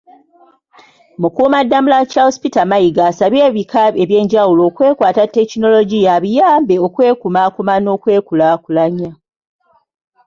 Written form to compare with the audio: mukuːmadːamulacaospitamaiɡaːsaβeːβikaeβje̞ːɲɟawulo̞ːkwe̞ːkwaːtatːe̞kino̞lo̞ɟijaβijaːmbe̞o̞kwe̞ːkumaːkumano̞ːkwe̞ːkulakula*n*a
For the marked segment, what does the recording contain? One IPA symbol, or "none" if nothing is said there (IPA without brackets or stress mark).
ɲ